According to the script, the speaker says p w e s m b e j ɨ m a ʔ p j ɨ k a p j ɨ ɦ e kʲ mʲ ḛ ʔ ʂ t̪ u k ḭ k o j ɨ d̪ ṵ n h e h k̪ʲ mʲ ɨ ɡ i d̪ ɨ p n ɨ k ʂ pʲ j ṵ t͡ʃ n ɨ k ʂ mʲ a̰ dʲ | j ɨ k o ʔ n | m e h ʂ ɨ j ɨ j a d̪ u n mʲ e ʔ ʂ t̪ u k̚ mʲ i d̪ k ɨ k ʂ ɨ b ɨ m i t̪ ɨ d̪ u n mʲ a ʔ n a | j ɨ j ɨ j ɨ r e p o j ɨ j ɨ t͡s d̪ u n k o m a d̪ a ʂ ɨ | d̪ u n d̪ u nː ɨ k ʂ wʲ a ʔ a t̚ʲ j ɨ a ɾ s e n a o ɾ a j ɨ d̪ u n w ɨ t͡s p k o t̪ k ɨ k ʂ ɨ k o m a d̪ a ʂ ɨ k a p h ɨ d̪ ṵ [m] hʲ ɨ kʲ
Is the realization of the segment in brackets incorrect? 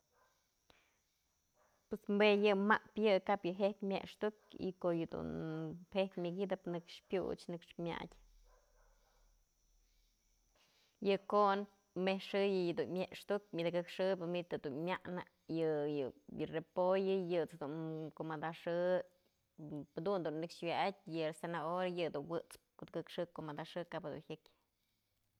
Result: yes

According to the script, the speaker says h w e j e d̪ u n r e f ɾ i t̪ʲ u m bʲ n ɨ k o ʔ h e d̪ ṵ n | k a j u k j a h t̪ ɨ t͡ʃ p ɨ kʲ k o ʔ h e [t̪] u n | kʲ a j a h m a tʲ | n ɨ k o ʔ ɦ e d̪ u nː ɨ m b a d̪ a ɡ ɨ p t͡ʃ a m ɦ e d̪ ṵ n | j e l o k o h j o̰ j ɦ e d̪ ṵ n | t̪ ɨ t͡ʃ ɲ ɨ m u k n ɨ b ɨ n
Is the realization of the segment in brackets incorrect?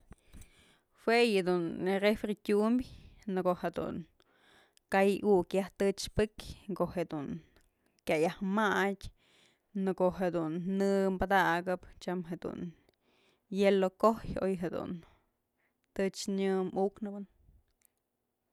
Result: yes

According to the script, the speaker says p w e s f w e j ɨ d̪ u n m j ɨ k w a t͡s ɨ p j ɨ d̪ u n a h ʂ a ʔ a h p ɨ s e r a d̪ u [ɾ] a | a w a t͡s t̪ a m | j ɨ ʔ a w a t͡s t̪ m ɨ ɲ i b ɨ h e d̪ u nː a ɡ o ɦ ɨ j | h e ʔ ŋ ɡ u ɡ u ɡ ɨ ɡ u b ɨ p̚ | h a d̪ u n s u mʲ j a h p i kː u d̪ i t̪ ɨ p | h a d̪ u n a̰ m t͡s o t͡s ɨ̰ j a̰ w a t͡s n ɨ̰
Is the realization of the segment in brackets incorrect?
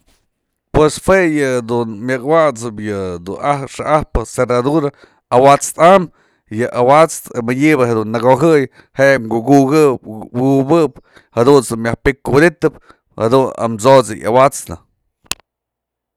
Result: no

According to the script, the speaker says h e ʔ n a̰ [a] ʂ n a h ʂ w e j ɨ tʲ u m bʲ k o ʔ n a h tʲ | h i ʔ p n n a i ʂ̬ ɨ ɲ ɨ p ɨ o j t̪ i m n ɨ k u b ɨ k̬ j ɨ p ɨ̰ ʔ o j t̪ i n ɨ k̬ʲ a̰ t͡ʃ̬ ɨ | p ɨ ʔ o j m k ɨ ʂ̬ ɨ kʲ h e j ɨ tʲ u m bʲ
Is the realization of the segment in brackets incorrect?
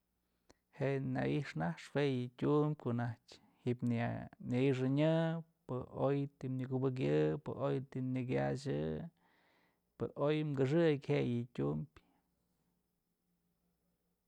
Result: yes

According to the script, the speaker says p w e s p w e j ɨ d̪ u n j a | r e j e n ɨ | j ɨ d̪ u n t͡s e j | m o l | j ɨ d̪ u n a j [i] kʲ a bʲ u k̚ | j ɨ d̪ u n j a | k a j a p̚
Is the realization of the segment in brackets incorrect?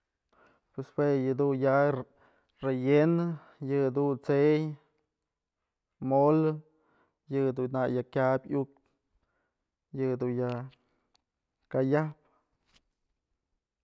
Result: yes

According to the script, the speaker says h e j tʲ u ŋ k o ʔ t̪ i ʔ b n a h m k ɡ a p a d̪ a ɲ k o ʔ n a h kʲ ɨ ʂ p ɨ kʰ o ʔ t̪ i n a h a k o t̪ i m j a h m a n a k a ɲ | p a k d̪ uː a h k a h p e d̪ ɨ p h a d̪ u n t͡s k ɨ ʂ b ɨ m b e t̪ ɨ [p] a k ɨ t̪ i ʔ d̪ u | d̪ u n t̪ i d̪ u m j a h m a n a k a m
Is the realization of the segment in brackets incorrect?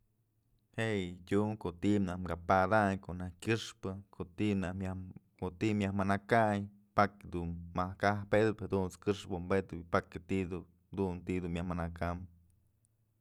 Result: no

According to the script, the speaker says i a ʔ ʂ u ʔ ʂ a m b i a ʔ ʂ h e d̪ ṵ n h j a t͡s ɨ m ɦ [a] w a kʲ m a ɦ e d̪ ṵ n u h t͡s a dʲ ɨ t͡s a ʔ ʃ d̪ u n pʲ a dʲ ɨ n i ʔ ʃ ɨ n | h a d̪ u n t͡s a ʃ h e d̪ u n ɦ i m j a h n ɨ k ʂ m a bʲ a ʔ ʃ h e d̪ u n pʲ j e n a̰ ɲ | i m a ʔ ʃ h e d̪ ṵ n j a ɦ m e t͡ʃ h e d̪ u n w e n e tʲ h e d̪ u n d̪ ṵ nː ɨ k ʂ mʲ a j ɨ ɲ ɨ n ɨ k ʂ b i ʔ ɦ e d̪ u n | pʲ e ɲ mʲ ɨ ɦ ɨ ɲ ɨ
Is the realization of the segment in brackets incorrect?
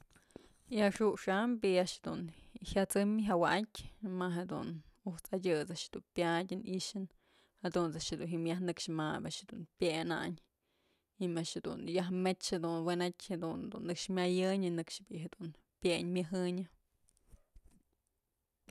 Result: no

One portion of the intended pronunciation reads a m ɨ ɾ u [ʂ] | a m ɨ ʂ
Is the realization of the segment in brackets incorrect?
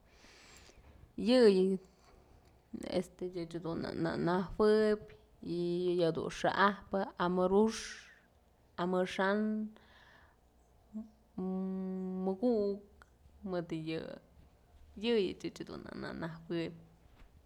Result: no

